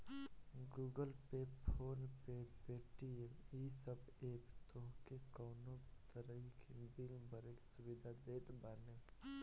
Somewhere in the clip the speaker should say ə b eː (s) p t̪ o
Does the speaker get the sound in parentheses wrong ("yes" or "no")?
yes